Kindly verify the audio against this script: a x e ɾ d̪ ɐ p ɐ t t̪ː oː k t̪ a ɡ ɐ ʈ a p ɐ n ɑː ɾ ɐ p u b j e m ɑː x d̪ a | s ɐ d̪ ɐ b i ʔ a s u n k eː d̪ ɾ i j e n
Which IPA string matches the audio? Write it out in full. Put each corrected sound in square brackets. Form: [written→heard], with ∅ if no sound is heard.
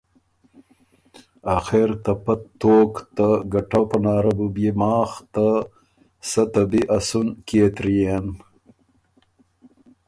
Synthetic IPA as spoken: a x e ɾ [d̪→t̪] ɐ p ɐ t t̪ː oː k t̪ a ɡ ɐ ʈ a p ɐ n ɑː ɾ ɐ [p→b] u b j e m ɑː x [d̪→t̪] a | s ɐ [d̪→t̪] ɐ b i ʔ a s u n k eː [d̪→t̪] ɾ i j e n